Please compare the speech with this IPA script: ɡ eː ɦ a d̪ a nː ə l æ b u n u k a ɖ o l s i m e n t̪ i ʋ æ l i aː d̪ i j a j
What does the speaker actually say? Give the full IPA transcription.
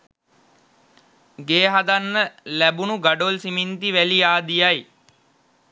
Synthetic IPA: ɡ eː ɦ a d̪ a nː ə l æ b u n u ɡ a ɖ o l s i m i n t̪ i ʋ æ l i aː d̪ i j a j